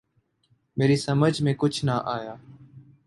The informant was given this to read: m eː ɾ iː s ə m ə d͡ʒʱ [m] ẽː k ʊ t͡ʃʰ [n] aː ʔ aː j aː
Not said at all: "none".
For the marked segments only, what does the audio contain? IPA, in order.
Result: m, n

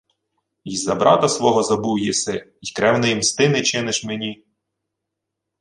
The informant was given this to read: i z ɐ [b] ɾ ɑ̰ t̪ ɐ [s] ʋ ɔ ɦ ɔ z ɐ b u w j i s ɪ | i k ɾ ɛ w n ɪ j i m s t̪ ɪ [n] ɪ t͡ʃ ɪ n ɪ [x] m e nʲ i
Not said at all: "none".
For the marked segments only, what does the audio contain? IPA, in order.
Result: b, s, n, ʃ

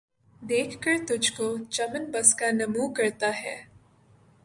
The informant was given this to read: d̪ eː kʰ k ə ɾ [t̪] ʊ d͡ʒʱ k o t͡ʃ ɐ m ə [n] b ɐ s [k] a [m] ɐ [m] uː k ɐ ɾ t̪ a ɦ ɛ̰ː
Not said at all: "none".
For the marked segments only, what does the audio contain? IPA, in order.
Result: t̪, n, k, n, m

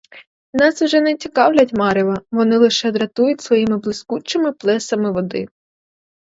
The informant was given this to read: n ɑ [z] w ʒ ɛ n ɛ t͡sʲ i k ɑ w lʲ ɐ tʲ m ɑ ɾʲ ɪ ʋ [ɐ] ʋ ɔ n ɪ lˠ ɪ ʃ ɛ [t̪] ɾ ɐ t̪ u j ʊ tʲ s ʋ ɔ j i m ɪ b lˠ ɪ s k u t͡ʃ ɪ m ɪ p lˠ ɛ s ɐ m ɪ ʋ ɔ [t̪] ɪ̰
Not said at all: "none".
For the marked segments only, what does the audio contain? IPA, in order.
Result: s, ɐ, d̪, d̪

